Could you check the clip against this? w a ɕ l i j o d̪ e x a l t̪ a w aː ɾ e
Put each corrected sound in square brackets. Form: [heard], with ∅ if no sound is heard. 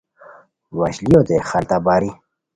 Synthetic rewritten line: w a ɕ l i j o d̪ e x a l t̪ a [b] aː ɾ [i]

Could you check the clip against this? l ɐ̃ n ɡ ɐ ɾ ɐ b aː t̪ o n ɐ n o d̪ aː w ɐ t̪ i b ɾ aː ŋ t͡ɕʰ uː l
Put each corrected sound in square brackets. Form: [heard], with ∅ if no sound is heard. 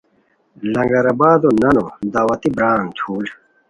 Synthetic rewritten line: l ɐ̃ [ŋ] ɡ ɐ ɾ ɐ b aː [d̪] o n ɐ n o d̪ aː w ɐ t̪ i b ɾ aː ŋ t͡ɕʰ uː l

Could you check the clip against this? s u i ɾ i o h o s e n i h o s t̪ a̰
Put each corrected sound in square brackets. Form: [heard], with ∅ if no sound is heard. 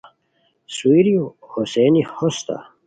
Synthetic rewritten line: s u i ɾ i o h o s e n i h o s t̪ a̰

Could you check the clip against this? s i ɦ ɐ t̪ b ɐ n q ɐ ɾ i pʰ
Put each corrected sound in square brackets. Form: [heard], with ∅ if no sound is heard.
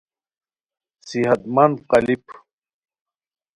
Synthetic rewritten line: s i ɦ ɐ t̪ [m] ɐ n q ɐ [l] i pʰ

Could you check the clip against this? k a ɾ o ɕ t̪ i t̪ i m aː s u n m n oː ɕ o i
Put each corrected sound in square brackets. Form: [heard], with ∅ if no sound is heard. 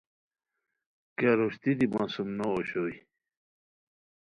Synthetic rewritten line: k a ɾ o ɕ t̪ i [d̪] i m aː s u [∅] m n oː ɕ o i

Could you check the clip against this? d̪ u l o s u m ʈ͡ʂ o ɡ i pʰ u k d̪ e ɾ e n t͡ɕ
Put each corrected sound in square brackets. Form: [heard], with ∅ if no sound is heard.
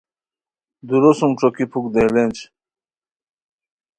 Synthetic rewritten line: d̪ u [ɾ] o s u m ʈ͡ʂ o [k] i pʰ u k d̪ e [l] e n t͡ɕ

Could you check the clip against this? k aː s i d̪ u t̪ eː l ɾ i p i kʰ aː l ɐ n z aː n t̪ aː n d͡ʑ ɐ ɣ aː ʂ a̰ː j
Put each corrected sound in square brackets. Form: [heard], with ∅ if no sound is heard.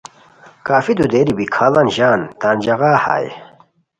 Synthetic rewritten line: k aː [f] i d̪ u [d̪] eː [∅] ɾ i [b] i kʰ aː l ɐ n [ʑ] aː n t̪ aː n d͡ʑ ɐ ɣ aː [h] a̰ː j

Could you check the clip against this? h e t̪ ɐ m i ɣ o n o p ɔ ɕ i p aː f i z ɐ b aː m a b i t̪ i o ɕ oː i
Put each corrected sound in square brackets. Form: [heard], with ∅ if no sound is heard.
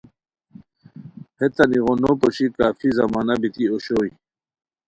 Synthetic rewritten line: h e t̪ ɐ [n] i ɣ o n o p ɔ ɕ i [k] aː f i z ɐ [m] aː [n] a b i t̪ i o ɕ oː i

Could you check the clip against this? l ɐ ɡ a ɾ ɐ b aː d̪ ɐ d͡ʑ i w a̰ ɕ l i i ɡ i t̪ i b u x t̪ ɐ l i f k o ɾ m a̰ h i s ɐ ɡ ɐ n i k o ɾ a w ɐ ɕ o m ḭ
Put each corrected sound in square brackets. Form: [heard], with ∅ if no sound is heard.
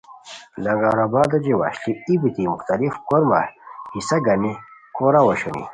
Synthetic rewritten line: l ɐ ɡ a ɾ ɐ b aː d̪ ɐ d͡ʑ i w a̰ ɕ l i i [b] i t̪ i [m] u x t̪ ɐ l i f k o ɾ m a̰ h i s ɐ ɡ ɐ n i k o ɾ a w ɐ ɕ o [n] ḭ

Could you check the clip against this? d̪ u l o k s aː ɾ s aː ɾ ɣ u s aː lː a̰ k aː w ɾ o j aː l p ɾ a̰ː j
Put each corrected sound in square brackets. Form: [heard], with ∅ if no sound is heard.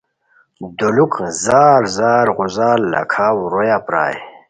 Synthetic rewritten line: d̪ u l [u] k [z] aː ɾ [z] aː ɾ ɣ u [z] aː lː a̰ [kʰ] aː w ɾ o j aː [∅] p ɾ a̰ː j

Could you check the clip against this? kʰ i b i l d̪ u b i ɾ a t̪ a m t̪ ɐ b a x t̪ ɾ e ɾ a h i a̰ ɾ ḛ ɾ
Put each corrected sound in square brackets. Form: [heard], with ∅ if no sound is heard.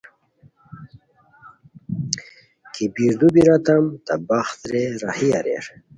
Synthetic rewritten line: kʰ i b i [ɾ] d̪ u b i ɾ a t̪ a m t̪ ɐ b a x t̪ ɾ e ɾ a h i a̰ ɾ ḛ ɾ

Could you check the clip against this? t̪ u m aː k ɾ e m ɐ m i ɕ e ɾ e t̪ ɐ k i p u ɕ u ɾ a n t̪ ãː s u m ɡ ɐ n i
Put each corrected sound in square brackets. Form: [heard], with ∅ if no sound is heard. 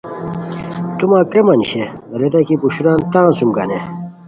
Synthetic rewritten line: t̪ u m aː k ɾ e m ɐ [n] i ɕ e ɾ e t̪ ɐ k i p u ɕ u ɾ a n t̪ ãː s u m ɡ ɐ n [e]

